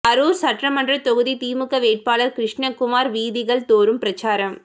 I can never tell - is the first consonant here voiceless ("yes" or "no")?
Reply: no